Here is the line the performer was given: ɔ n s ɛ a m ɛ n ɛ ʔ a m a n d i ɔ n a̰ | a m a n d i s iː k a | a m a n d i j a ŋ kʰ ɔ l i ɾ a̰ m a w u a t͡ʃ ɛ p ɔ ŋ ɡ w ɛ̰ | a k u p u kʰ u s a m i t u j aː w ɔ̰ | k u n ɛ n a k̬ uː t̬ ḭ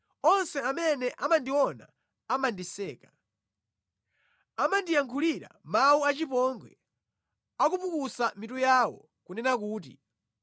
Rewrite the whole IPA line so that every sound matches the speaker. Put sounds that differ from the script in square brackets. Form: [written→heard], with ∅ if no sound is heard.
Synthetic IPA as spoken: ɔ n s ɛ a m ɛ n ɛ ʔ a m a n d i ɔ n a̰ | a m a n d i s [iː→ɛː] k a | a m a n d i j a ŋ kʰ [ɔ→u] l i ɾ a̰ m a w u a t͡ʃ [ɛ→i] p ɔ ŋ ɡ w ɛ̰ | a k u p u [kʰ→k] u s a m i t u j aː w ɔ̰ | k u n ɛ n a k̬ uː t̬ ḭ